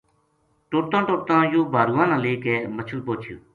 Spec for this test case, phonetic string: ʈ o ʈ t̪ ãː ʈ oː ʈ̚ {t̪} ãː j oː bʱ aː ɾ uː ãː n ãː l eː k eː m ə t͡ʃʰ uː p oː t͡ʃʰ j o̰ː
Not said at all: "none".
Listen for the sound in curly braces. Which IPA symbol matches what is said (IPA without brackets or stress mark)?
t̪